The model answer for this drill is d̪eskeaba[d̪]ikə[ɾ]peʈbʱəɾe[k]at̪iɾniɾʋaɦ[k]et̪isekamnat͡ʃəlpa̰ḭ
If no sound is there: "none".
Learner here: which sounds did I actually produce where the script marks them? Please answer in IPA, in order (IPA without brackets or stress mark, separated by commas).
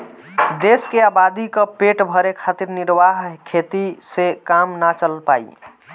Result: d̪, none, kʰ, kʰ